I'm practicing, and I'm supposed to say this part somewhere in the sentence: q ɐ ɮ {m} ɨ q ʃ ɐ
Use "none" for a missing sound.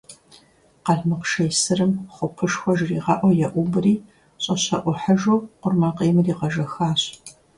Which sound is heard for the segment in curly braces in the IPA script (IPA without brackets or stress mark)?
m